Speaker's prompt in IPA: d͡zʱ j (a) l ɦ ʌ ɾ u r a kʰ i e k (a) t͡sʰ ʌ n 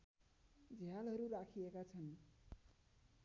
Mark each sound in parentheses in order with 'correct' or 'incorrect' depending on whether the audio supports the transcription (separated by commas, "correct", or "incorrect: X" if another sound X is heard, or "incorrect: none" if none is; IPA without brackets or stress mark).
correct, correct